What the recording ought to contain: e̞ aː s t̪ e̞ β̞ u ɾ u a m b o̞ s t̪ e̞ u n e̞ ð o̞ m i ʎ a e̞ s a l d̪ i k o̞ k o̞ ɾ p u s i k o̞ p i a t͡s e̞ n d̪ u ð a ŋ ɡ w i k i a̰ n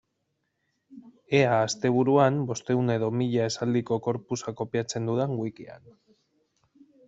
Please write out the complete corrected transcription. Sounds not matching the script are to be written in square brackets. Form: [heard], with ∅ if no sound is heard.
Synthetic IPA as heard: e̞ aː s t̪ e̞ β̞ u ɾ u a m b o̞ s t̪ e̞ u n e̞ ð o̞ m i ʎ a e̞ s a l d̪ i k o̞ k o̞ ɾ p u s [a] k o̞ p i a t͡s e̞ n d̪ u ð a ŋ ɡ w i k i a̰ n

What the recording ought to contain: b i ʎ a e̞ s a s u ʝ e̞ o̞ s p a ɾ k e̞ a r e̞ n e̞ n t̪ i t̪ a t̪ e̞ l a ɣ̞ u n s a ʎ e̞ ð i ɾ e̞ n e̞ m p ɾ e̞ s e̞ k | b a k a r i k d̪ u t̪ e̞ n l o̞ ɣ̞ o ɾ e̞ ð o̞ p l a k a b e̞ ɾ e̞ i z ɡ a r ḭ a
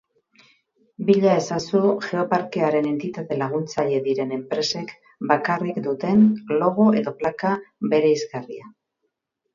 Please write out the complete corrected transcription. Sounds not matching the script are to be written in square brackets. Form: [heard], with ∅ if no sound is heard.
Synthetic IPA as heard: b i ʎ a e̞ s a s u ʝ e̞ o̞ [∅] p a ɾ k e̞ a [ɾ] e̞ n e̞ n t̪ i t̪ a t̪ e̞ l a ɣ̞ u n [t͡s] a ʎ e̞ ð i ɾ e̞ n e̞ m p ɾ e̞ s e̞ k | b a k a r i k d̪ u t̪ e̞ n l o̞ ɣ̞ o [∅] e̞ ð o̞ p l a k a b e̞ ɾ e̞ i z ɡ a r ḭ a

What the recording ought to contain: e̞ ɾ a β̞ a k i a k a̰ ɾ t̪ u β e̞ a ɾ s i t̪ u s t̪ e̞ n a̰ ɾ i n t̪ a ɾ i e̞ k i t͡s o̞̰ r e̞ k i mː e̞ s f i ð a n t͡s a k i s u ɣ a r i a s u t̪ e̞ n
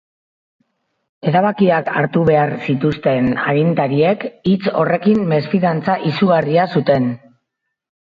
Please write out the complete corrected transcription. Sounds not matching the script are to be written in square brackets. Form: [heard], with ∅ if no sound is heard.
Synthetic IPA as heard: e̞ ɾ a β̞ a k i a k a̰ ɾ t̪ u β e̞ a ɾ s i t̪ u s t̪ e̞ n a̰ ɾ i n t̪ a ɾ i e̞ k i t͡s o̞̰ r e̞ k i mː e̞ s f i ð a n t͡s a [ʔ] i s u ɣ a r i a s u t̪ e̞ n

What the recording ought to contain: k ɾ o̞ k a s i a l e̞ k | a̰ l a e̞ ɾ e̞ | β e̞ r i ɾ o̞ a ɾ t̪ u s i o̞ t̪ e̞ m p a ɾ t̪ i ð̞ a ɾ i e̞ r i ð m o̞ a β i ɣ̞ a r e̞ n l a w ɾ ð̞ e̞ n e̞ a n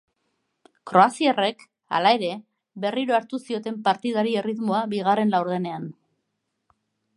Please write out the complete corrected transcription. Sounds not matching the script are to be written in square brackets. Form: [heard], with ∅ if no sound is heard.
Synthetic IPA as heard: k ɾ o̞ [∅] a s i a [r] e̞ k | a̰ l a e̞ ɾ e̞ | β e̞ r i ɾ o̞ a ɾ t̪ u s i o̞ t̪ e̞ m p a ɾ t̪ i ð̞ a ɾ i e̞ r i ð m o̞ a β i ɣ̞ a r e̞ n l a w ɾ ð̞ e̞ n e̞ a n

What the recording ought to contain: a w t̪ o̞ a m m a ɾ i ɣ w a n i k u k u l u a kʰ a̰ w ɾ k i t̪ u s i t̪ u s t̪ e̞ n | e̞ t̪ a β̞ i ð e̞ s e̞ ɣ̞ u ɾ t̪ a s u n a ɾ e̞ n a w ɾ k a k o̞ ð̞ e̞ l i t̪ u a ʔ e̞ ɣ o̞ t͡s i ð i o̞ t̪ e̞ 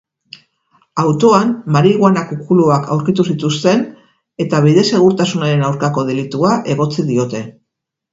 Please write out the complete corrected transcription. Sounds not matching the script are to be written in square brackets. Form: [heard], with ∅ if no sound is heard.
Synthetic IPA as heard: a w t̪ o̞ a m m a ɾ i ɣ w a n [a] k u k u l u a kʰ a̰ w ɾ k i t̪ u s i t̪ u s t̪ e̞ n | e̞ t̪ a β̞ i ð e̞ s e̞ ɣ̞ u ɾ t̪ a s u n a ɾ e̞ n a w ɾ k a k o̞ ð̞ e̞ l i t̪ u a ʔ e̞ ɣ o̞ t͡s i ð i o̞ t̪ e̞

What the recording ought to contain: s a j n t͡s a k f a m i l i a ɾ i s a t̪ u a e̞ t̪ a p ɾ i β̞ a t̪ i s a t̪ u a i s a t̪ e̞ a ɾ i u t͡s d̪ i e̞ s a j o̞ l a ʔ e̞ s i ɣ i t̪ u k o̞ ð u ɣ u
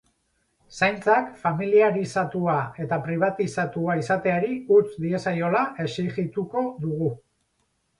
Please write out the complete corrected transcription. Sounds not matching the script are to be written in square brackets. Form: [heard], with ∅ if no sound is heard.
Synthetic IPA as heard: s a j n t͡s a k f a m i l i a ɾ i s a t̪ u a e̞ t̪ a p ɾ i β̞ a t̪ i s a t̪ u a i s a t̪ e̞ a ɾ i u t͡s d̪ i e̞ s a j o̞ l a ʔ e̞ s i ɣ i t̪ u k o̞ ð u ɣ u

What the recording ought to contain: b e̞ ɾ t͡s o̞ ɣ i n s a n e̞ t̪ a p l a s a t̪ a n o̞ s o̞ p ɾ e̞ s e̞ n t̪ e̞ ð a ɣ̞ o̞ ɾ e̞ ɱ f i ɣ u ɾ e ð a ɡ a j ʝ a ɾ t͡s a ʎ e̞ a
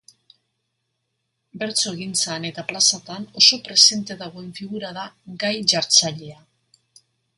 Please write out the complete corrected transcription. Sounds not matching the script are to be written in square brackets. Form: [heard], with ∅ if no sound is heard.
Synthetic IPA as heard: b e̞ ɾ t͡s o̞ ɣ i n [t͡s] a n e̞ t̪ a p l a s a t̪ a n o̞ s o̞ p ɾ e̞ s e̞ n t̪ e̞ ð a ɣ̞ o̞ [∅] e̞ ɱ f i ɣ u ɾ [a] ð a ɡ a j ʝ a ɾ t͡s a ʎ e̞ a

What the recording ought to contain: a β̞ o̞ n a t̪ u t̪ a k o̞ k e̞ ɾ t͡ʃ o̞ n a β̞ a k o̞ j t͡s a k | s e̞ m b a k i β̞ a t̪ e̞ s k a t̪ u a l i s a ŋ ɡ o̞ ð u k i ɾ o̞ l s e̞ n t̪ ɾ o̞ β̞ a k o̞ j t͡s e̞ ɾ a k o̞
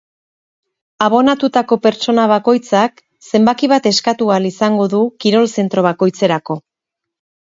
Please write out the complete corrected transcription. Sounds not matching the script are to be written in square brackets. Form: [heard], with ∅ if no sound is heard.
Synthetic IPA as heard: a β̞ o̞ n a t̪ u t̪ a k o̞ [p] e̞ ɾ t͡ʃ o̞ n a β̞ a k o̞ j t͡s a k | s e̞ m b a k i β̞ a t̪ e̞ s k a t̪ u a l i s a ŋ ɡ o̞ ð u k i ɾ o̞ l s e̞ n t̪ ɾ o̞ β̞ a k o̞ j t͡s e̞ ɾ a k o̞

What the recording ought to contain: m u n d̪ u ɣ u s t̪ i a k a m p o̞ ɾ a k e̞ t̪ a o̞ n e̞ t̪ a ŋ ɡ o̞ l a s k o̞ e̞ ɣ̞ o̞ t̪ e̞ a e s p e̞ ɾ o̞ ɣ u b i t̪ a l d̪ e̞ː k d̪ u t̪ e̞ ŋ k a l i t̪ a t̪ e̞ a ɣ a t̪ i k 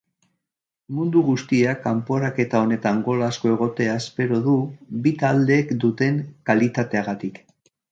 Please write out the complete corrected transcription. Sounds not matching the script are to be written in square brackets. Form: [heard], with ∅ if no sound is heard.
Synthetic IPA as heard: m u n d̪ u ɣ u s t̪ i a k a m p o̞ ɾ a k e̞ t̪ a o̞ n e̞ t̪ a ŋ ɡ o̞ l a s k o̞ e̞ ɣ̞ o̞ t̪ e̞ a e s p e̞ ɾ o̞ [ð] u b i t̪ a l d̪ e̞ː k d̪ u t̪ e̞ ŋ k a l i t̪ a t̪ e̞ a ɣ a t̪ i k

